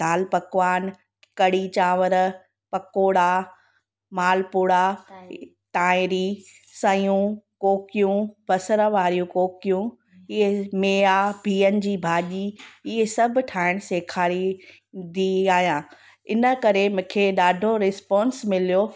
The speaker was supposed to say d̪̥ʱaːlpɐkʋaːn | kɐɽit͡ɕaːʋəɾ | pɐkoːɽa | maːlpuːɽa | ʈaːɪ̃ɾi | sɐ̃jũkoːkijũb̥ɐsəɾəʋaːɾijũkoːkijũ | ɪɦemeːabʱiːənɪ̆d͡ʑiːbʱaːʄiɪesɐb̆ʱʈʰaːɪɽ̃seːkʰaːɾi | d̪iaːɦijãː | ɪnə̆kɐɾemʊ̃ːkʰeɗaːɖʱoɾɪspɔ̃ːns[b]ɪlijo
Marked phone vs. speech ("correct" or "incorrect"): incorrect